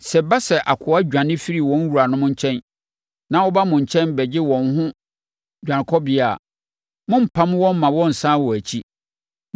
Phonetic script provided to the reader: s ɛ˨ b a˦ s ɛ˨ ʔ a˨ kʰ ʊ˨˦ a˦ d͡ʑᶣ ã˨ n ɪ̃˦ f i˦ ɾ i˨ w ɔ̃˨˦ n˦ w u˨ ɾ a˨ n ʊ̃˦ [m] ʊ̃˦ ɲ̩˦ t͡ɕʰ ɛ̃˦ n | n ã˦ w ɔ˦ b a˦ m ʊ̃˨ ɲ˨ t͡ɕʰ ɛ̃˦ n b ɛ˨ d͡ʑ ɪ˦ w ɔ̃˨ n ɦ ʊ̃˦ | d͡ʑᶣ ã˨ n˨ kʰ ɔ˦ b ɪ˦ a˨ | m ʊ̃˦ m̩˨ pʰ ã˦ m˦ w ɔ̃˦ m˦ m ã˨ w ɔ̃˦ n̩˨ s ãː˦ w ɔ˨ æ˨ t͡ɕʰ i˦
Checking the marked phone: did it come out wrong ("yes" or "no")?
no